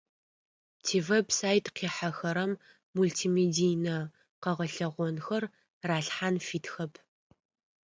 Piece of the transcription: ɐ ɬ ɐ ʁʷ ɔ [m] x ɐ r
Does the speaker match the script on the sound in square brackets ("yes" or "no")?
no